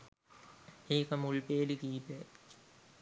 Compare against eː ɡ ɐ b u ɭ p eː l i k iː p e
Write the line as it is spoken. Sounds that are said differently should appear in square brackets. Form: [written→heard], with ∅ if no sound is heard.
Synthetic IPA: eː [ɡ→k] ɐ [b→m] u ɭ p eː l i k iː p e